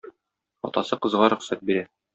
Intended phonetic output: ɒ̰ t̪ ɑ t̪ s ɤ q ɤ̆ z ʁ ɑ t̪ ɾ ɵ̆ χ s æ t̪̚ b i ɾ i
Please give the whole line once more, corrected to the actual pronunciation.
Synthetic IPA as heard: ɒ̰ t̪ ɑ s ɤ q ɤ̆ z ʁ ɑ ɾ ɵ̆ χ s æ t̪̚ b i ɾ æ